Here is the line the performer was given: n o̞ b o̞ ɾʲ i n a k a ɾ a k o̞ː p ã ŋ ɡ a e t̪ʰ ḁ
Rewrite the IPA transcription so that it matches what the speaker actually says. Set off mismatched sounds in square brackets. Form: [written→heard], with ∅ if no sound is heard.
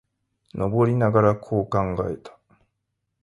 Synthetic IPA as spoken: n o̞ b o̞ ɾʲ i n a [k→ɡ] a ɾ a [k→kʰ] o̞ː [p→k] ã ŋ ɡ a e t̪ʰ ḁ